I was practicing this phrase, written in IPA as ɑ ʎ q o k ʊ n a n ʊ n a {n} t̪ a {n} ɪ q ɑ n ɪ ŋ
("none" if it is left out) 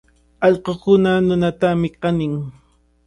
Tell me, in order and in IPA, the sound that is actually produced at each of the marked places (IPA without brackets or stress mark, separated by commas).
none, m